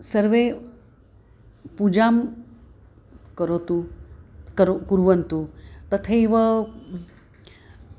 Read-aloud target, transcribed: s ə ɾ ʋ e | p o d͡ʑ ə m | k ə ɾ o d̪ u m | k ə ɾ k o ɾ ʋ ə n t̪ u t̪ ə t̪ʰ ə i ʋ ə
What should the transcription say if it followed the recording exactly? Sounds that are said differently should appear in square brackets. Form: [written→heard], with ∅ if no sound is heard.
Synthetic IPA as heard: s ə ɾ ʋ e | p [o→u] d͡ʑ [ə→a] m | k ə ɾ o [d̪→t̪] u [m→∅] | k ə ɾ k [o→u] ɾ ʋ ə n t̪ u t̪ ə t̪ʰ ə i ʋ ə